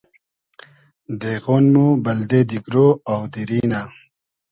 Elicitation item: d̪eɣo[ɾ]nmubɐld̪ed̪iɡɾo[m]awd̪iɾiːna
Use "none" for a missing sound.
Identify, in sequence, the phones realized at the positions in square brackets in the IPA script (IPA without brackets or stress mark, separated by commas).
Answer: none, none